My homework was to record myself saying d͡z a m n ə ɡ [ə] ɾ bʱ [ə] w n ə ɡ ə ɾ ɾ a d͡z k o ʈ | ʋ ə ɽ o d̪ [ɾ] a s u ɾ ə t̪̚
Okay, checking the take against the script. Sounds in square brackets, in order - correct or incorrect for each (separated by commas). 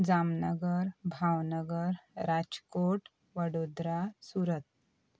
correct, incorrect, correct